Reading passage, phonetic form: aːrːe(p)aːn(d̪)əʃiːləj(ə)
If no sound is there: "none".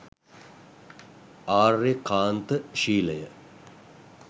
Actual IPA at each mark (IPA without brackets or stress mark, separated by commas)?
k, t̪, ə